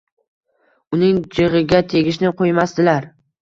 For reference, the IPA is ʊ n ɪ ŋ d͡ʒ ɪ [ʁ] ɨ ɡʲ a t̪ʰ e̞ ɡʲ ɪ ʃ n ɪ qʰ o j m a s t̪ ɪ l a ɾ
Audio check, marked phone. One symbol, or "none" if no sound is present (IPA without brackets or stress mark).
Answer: ʁ